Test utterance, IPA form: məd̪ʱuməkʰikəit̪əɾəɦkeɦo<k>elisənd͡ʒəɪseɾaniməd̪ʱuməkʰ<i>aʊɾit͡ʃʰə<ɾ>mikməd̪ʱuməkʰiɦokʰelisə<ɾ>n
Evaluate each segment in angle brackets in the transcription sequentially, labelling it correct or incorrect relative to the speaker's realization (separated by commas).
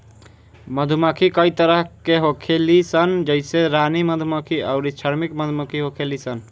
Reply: incorrect, correct, correct, incorrect